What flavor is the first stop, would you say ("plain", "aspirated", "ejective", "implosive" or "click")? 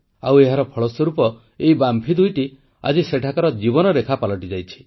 aspirated